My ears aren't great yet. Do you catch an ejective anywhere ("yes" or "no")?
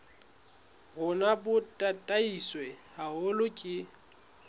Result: yes